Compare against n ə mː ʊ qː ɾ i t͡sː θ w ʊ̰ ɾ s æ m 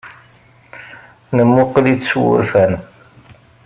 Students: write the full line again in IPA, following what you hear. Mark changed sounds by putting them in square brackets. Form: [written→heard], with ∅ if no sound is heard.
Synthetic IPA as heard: n ə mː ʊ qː [ɾ→l] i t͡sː [θ→s] w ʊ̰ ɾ [s→f] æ [m→n]